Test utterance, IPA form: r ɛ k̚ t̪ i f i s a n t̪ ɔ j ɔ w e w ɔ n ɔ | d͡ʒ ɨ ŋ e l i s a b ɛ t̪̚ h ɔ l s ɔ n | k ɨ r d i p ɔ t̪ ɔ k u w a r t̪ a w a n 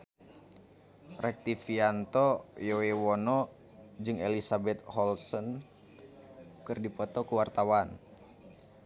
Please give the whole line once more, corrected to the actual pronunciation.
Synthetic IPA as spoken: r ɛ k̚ t̪ i f i a n t̪ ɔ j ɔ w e w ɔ n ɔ | d͡ʒ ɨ ŋ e l i s a b ɛ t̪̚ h ɔ l s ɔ n | k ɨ r d i p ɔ t̪ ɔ k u w a r t̪ a w a n